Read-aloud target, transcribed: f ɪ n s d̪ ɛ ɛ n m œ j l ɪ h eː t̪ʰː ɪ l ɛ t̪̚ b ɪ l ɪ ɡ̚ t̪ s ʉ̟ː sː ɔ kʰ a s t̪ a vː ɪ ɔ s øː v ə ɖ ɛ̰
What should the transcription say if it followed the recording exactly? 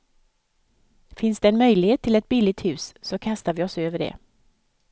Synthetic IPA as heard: f ɪ n s d̪ ɛ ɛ n m œ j l ɪ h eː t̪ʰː ɪ l ɛ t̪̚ b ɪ l ɪ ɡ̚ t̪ h ʉ̟ː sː ɔ kʰ a s t̪ a v ɪ ɔ s øː v ə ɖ ɛ̰